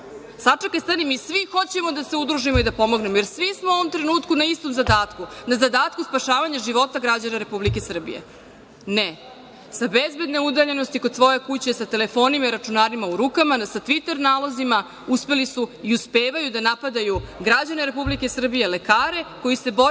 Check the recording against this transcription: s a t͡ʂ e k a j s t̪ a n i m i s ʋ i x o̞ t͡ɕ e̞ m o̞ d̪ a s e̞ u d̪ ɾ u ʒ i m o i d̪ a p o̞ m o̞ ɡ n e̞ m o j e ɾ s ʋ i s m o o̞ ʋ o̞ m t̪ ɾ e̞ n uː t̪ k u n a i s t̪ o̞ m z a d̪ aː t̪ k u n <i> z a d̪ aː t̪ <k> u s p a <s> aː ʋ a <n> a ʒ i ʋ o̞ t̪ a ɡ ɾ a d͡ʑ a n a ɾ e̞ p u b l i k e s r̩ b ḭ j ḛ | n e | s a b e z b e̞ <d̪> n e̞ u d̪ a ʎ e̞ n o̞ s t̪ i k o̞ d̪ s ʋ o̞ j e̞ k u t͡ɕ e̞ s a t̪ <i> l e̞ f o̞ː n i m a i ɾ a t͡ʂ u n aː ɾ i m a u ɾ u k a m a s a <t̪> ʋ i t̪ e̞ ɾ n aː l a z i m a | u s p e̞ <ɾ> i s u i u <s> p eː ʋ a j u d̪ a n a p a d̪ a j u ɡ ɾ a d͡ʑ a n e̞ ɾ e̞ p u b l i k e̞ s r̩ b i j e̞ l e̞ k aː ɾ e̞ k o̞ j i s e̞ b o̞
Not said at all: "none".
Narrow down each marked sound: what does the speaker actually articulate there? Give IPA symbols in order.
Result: a, k, ʃ, ɲ, d̪, e, t̪, l, s

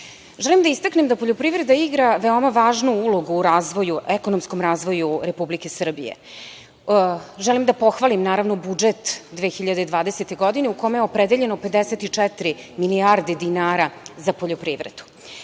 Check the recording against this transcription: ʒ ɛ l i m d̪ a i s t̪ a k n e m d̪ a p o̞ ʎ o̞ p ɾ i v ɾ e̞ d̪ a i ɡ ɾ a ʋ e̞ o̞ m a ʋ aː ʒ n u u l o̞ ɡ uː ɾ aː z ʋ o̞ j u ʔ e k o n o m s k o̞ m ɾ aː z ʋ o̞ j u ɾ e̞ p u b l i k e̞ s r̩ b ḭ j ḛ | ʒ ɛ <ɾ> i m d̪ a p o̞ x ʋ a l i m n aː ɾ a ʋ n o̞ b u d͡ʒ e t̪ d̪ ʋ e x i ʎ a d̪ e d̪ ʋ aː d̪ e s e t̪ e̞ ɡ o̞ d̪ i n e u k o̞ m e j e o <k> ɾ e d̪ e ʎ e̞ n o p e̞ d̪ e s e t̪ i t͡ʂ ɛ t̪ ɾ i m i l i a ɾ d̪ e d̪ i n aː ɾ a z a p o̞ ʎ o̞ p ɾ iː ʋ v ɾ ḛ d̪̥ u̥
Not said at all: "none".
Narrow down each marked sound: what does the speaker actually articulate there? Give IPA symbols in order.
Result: l, p

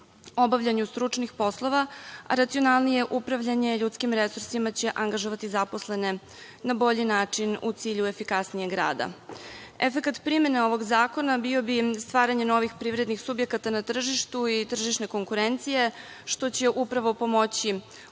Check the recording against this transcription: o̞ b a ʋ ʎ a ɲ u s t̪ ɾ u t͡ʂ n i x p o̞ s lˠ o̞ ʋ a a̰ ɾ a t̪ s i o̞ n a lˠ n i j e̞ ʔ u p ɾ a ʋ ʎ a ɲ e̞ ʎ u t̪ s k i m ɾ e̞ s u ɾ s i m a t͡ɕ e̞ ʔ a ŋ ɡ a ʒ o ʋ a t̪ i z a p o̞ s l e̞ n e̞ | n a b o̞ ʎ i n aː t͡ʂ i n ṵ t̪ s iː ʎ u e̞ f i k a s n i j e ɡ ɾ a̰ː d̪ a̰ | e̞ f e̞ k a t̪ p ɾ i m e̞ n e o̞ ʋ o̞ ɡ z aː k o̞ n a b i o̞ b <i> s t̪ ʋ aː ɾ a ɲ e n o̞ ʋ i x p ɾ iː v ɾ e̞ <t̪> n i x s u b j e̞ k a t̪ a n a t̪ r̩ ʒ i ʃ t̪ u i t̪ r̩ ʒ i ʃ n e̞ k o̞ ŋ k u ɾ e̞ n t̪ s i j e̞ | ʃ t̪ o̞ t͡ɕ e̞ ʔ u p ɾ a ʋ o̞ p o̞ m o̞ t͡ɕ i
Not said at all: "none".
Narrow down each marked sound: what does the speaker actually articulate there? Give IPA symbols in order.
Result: i, d̪

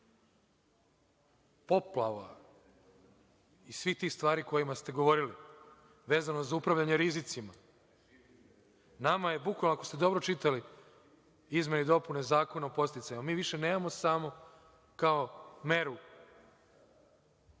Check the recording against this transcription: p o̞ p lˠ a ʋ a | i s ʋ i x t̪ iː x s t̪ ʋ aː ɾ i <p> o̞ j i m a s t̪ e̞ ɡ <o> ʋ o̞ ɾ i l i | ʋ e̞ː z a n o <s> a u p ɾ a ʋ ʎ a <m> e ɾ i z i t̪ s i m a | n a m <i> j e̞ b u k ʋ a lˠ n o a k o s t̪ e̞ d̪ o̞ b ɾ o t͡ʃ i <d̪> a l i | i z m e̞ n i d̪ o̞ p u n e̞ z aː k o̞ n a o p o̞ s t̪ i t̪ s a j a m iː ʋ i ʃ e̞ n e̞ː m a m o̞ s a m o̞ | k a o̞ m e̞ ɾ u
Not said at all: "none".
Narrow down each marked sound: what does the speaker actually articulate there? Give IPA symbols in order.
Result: k, o, z, ɲ, a, t̪

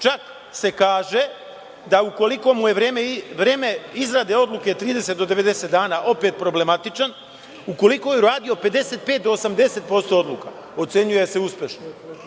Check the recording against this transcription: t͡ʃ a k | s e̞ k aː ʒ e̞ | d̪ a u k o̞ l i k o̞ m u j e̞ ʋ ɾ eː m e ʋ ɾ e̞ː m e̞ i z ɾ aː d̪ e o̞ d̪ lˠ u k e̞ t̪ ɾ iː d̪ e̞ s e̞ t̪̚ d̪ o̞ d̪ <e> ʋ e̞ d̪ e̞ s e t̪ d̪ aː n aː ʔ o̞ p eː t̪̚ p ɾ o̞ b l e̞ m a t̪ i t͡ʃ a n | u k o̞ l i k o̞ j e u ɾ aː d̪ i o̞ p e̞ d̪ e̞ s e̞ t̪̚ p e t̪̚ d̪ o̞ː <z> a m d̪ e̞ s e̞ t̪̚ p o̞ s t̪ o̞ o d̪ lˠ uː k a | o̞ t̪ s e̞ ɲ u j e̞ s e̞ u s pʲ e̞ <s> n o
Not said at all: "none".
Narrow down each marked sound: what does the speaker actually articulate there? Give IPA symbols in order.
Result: e, s, ʃ

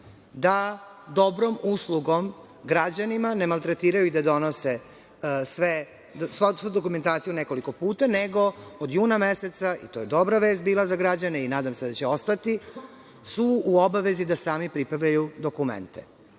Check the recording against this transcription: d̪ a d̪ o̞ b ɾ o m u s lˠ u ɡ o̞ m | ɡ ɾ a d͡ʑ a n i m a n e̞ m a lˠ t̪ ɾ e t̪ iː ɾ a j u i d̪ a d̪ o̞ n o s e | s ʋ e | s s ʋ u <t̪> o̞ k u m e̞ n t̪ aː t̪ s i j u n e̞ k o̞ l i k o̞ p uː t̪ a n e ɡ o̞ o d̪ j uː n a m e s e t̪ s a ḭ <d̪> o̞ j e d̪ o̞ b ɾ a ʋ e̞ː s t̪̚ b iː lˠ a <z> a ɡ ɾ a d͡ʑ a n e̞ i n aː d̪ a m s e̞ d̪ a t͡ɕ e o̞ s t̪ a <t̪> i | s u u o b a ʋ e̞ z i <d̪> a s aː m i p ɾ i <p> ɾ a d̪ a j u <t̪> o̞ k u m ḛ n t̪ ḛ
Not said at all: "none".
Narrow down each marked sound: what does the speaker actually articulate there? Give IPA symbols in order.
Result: d̪, t̪, z, t̪, d̪, p, d̪

